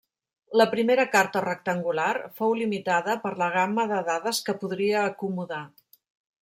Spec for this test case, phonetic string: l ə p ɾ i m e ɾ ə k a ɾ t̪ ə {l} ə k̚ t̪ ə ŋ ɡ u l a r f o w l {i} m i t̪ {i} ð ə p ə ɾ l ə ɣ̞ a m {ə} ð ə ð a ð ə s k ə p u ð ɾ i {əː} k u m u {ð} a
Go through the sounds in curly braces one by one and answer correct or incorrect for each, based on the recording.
incorrect, correct, incorrect, correct, correct, correct

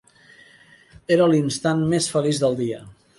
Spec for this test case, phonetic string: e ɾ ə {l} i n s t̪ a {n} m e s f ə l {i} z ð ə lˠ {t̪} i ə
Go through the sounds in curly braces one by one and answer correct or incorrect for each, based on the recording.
correct, correct, correct, incorrect

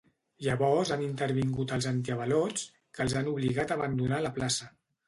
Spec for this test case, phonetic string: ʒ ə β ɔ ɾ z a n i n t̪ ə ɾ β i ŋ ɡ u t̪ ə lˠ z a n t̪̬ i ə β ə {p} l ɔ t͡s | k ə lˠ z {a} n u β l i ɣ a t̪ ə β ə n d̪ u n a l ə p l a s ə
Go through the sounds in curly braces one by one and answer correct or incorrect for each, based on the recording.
incorrect, correct

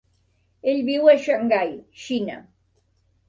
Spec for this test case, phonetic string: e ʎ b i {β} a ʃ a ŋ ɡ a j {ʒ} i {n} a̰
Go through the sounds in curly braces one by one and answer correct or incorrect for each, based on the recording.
incorrect, incorrect, correct

